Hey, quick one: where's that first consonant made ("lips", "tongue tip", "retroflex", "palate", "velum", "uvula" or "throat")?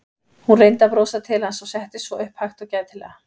throat